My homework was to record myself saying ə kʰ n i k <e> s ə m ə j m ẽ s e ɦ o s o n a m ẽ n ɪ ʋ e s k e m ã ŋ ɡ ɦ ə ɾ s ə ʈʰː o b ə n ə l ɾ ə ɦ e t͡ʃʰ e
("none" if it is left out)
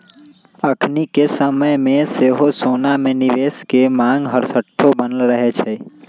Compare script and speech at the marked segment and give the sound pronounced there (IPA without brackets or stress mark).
e